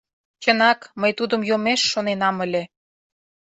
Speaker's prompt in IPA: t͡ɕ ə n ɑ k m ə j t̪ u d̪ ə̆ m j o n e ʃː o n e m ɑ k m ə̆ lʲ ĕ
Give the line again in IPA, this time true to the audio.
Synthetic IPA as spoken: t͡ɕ ə n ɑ k m ə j t̪ u d̪ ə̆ m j o m e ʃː o n e n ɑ m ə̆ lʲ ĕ